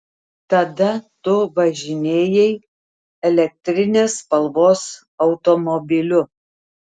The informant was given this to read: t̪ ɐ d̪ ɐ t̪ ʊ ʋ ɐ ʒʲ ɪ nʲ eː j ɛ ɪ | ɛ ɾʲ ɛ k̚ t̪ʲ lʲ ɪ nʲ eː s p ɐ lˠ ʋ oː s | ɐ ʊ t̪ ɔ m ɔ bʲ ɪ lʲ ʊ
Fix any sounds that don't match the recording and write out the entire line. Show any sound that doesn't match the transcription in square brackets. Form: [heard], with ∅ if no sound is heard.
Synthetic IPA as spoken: t̪ ɐ d̪ ɐ t̪ ʊ ʋ ɐ ʒʲ ɪ nʲ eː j ɛ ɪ | ɛ [lʲ] ɛ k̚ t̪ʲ [ɾʲ] ɪ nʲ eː s p ɐ lˠ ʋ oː s | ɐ ʊ t̪ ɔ m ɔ bʲ ɪ lʲ ʊ